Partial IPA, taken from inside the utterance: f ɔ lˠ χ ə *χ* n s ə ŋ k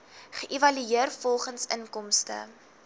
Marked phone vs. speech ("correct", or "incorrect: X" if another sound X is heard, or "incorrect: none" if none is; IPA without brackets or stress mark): incorrect: none